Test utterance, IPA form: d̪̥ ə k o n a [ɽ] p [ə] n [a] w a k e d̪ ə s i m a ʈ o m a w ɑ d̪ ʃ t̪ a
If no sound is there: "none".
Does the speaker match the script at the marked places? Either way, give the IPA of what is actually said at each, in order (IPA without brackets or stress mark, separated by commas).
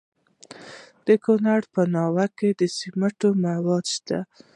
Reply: ɽ, ə, ɑ